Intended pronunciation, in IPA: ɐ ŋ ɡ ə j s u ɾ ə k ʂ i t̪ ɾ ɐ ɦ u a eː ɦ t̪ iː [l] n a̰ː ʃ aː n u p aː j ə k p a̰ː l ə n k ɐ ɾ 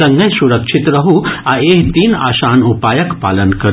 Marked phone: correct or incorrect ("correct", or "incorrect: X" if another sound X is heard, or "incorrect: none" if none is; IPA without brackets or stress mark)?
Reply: incorrect: none